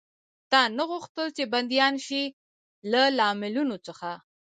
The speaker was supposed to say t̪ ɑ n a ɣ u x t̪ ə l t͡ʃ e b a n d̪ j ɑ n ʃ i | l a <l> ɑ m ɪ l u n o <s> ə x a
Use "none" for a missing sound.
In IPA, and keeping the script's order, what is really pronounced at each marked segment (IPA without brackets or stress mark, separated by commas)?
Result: l, t͡s